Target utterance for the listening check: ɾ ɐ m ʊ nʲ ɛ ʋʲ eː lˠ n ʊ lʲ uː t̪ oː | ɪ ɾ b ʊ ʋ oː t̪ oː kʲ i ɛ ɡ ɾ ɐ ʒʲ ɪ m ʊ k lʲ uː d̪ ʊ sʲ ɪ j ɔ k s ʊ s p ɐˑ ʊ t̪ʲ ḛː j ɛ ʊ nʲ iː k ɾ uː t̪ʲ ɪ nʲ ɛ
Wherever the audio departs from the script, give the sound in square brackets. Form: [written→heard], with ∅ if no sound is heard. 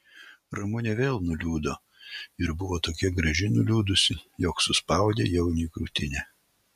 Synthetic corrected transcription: ɾ ɐ m ʊ nʲ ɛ ʋʲ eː lˠ n ʊ lʲ uː [t̪→d̪] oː | ɪ ɾ b ʊ ʋ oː t̪ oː kʲ i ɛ ɡ ɾ ɐ ʒʲ ɪ [m→n] ʊ [k→∅] lʲ uː d̪ ʊ sʲ ɪ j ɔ k s ʊ s p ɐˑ ʊ [t̪ʲ→d̪ʲ] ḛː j ɛ ʊ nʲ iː k ɾ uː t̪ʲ ɪ nʲ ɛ

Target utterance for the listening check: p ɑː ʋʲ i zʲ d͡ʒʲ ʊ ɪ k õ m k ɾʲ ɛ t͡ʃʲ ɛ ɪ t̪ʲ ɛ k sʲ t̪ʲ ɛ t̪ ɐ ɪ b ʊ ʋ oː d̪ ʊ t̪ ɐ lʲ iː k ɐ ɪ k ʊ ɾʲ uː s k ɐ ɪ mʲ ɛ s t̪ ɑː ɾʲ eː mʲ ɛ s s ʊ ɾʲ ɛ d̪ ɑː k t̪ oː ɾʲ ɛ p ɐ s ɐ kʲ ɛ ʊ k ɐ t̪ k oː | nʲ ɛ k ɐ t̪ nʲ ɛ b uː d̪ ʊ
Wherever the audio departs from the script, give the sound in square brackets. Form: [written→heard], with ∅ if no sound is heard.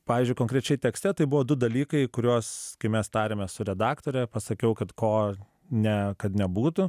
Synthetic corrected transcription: p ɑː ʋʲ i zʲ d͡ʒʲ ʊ ɪ k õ [m→ŋ] k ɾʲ ɛ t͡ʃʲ ɛ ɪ t̪ʲ ɛ k sʲ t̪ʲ ɛ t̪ ɐ ɪ b ʊ ʋ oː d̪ ʊ [t̪→d̪] ɐ lʲ iː k ɐ ɪ k ʊ ɾʲ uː s k ɐ ɪ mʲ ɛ s t̪ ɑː ɾʲ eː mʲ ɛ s s ʊ ɾʲ ɛ d̪ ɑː k t̪ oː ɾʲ ɛ p ɐ s ɐ kʲ ɛ ʊ k ɐ t̪ k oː | nʲ ɛ k ɐ t̪ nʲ ɛ b uː [d̪→t̪] ʊ

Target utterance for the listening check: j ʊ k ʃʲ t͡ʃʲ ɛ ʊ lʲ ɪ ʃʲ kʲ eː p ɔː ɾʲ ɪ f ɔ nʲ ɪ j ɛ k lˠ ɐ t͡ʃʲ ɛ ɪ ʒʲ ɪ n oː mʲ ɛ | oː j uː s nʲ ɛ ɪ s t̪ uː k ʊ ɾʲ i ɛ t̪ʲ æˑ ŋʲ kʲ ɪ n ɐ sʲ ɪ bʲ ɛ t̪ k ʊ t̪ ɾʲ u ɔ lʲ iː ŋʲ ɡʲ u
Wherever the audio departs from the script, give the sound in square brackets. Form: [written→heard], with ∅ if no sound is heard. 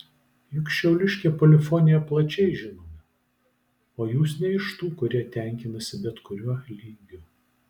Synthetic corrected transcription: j ʊ k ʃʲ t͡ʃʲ ɛ ʊ lʲ ɪ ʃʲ kʲ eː p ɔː [ɾʲ→lʲ] ɪ f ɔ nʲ ɪ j ɛ [k→p] lˠ ɐ t͡ʃʲ ɛ ɪ ʒʲ ɪ n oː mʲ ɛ | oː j uː s nʲ ɛ ɪ [s→ʃ] t̪ uː k ʊ ɾʲ i ɛ t̪ʲ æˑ ŋʲ kʲ ɪ n ɐ sʲ ɪ bʲ ɛ t̪ k ʊ [t̪→∅] ɾʲ u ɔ lʲ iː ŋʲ ɡʲ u

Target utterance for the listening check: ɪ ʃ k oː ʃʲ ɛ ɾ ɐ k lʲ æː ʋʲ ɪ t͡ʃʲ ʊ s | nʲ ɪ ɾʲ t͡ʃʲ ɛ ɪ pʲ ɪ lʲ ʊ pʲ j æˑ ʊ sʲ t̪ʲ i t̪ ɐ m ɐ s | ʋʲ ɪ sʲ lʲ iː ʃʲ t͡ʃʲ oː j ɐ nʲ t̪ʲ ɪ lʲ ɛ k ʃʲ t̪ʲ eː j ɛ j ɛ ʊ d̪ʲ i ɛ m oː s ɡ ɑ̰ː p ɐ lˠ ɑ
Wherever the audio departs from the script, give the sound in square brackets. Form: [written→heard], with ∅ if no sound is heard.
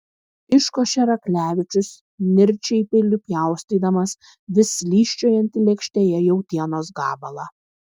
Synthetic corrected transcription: ɪ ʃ k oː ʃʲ ɛ ɾ ɐ k lʲ æː ʋʲ ɪ t͡ʃʲ ʊ s | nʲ ɪ ɾʲ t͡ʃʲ ɛ ɪ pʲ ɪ lʲ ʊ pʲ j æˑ ʊ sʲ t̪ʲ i [t̪→d̪] ɐ m ɐ s | ʋʲ ɪ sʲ lʲ iː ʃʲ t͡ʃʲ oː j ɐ nʲ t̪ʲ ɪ lʲ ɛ k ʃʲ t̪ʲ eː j ɛ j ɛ ʊ [d̪ʲ→t̪ʲ] i ɛ [m→n] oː s ɡ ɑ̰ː [p→b] ɐ lˠ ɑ

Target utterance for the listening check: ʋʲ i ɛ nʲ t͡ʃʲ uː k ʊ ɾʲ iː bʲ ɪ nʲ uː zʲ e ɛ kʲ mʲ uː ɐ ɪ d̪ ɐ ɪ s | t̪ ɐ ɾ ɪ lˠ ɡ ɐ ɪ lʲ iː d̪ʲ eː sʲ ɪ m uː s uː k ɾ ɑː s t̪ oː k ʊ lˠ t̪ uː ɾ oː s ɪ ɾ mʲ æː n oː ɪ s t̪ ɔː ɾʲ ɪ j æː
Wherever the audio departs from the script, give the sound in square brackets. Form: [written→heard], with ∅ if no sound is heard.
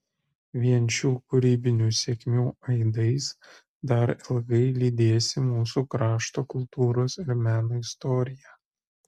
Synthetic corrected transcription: ʋʲ i ɛ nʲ t͡ʃʲ uː k ʊ ɾʲ iː bʲ ɪ nʲ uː [zʲ→sʲ] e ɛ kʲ mʲ uː ɐ ɪ d̪ ɐ ɪ s | [t̪→d̪] ɐ ɾ ɪ lˠ ɡ ɐ ɪ lʲ iː d̪ʲ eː sʲ ɪ m uː s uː k ɾ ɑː [s→ʃ] t̪ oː k ʊ lˠ t̪ uː ɾ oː s ɪ ɾ mʲ æː n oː ɪ s t̪ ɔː ɾʲ ɪ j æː

